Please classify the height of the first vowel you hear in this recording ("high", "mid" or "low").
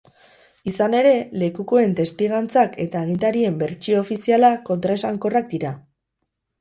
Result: high